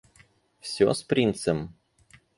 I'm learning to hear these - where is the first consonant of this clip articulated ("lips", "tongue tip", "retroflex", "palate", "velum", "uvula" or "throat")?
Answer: tongue tip